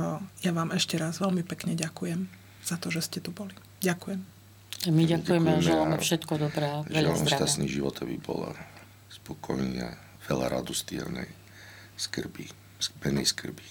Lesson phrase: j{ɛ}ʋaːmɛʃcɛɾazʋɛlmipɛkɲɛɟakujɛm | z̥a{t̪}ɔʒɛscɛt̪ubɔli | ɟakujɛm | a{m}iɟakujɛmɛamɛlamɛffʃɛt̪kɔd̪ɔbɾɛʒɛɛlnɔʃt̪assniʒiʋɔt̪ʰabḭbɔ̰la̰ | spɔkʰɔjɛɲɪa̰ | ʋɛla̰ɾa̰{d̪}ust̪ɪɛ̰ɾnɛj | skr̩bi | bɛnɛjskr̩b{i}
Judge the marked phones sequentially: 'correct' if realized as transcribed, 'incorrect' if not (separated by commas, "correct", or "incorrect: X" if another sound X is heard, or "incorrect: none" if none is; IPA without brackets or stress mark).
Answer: incorrect: a, correct, correct, correct, correct